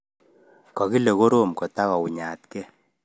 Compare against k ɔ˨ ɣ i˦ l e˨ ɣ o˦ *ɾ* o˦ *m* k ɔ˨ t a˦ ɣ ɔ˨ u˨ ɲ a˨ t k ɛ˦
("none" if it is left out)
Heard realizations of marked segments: ɾ, m

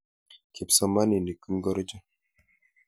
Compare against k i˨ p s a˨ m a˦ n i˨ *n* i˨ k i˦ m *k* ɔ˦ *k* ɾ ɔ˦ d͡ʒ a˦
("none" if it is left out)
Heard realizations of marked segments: n, ɡ, none

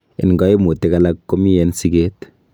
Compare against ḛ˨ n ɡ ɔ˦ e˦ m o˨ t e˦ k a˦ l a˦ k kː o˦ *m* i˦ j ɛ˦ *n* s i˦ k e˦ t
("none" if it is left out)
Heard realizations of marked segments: m, n

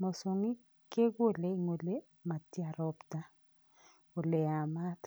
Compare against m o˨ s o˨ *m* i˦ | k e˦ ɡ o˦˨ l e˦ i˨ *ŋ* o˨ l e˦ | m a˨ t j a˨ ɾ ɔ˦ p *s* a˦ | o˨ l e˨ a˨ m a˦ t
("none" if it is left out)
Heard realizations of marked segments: ŋ, ŋ, t

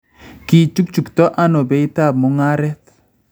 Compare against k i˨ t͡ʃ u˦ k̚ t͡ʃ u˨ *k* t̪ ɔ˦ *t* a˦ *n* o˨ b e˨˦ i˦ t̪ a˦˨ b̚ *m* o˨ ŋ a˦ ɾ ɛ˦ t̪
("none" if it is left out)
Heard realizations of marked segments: k, ʔ, n, m

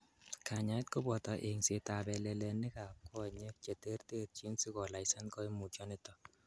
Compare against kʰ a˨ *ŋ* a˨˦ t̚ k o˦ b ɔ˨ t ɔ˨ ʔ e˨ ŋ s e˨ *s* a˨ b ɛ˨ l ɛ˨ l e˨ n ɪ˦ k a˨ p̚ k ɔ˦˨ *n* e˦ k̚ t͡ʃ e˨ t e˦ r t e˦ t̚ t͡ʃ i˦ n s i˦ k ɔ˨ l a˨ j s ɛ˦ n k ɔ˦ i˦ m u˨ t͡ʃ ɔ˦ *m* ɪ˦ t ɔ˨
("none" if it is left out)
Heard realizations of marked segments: ɲ, t, ɲ, n

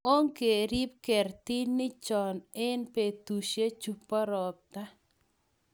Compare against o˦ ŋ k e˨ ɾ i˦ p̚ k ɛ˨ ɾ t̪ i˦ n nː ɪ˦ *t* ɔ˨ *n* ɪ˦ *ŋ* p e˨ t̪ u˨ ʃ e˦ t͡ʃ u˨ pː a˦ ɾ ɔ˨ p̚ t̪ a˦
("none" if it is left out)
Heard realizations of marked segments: t͡ʃ, n, n

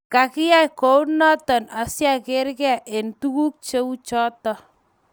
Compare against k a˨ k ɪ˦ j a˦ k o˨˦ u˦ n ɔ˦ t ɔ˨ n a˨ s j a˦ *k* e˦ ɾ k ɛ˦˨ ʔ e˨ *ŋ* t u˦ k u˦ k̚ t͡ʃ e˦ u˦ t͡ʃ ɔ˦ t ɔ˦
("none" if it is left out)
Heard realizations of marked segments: k, n

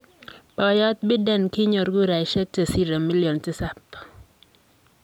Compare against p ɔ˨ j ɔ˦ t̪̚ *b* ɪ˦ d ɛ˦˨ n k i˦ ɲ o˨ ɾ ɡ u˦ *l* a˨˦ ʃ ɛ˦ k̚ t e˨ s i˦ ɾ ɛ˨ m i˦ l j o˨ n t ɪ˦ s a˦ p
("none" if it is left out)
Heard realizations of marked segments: b, ɾ

